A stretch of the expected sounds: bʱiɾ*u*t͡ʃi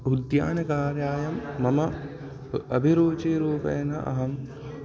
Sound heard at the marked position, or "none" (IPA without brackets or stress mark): uː